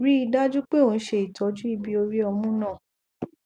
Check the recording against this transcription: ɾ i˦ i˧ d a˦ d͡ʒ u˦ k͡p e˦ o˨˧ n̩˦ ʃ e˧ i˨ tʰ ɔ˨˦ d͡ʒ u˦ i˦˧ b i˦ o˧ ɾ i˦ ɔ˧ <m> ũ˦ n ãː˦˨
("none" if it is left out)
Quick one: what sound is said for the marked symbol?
m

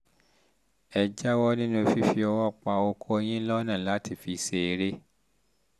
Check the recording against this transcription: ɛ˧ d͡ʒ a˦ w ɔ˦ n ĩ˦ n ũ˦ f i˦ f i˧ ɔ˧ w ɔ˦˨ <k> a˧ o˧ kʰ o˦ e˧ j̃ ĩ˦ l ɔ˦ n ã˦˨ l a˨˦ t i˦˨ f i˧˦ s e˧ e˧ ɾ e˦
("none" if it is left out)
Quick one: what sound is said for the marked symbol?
k͡p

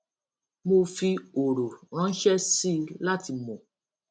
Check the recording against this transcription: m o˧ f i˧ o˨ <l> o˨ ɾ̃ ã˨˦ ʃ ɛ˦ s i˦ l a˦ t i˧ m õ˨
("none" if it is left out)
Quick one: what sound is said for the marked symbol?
ɾ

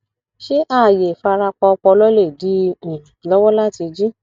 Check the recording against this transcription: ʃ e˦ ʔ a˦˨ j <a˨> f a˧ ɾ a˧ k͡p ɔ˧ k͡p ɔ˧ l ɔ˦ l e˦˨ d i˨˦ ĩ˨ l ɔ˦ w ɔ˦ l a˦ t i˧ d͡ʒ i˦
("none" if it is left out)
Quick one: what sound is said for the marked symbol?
e˨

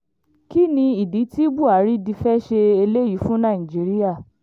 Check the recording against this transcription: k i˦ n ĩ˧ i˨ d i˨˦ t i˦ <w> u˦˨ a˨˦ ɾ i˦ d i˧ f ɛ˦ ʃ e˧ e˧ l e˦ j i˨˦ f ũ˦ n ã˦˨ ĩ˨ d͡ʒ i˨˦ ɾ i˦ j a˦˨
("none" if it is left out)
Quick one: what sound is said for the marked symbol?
b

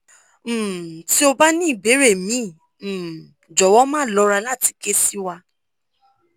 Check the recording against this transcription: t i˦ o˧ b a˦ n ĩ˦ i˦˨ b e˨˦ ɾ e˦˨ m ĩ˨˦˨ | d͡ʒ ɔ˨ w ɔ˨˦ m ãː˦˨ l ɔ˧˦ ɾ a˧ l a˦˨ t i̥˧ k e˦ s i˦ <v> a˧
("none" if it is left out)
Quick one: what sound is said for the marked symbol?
w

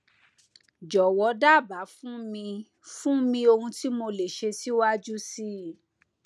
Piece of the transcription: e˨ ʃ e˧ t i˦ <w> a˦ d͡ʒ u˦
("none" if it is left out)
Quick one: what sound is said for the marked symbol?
w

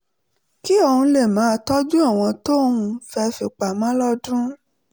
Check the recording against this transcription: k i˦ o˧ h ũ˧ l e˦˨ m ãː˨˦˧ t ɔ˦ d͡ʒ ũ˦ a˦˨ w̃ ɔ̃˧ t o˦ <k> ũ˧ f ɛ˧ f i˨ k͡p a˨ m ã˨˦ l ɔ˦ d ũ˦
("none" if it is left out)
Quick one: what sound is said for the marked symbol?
none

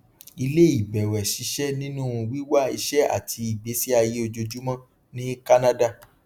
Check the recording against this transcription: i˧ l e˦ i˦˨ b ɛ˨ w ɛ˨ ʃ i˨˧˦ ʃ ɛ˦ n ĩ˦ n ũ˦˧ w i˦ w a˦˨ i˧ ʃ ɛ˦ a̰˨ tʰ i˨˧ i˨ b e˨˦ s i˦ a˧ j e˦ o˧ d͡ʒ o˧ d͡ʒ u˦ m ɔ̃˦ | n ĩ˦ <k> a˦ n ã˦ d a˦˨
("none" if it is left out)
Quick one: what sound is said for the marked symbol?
k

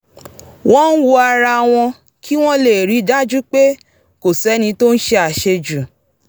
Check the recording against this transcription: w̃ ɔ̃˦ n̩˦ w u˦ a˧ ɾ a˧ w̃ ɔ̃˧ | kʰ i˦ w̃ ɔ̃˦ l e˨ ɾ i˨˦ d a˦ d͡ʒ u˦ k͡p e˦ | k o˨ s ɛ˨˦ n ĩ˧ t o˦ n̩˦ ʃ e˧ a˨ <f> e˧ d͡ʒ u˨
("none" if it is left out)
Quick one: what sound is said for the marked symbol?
ʃ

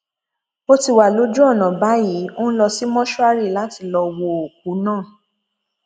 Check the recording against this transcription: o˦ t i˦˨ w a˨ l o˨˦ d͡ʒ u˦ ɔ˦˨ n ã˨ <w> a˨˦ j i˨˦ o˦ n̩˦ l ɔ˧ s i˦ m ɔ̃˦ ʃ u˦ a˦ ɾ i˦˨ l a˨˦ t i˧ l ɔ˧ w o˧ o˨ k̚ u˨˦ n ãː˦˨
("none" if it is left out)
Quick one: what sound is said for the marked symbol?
b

